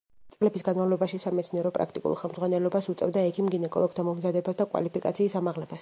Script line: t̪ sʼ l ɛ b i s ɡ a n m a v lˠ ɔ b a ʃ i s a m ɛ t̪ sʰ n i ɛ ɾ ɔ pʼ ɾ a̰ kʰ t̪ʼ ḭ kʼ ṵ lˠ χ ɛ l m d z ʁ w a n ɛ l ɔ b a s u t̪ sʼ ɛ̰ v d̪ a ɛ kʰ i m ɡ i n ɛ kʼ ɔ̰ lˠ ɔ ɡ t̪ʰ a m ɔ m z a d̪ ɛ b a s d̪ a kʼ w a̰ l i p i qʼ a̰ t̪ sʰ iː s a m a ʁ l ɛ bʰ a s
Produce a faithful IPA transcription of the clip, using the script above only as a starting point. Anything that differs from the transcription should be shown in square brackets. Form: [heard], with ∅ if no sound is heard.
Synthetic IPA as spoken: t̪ sʼ l ɛ b i s ɡ a n m a v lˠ ɔ b a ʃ i s a m ɛ t̪ sʰ n i ɛ ɾ ɔ pʼ ɾ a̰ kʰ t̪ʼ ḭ kʼ ṵ lˠ χ ɛ l m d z ʁ w a n ɛ l ɔ b a s u t̪ sʼ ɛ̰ v d̪ a ɛ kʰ i m ɡ i n ɛ kʼ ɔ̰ lˠ ɔ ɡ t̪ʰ a m ɔ m z a d̪ ɛ b a s d̪ a kʼ w a̰ l i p i [kʼ] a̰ t̪ sʰ iː s a m a ʁ l ɛ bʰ a s